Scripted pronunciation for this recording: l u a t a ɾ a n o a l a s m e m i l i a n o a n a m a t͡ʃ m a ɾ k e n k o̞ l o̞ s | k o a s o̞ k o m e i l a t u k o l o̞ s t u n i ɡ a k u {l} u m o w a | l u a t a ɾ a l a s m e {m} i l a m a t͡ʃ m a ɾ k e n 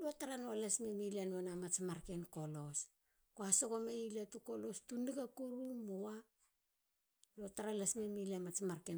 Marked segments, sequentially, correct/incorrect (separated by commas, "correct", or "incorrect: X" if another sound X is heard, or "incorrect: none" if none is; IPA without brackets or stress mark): incorrect: ɾ, correct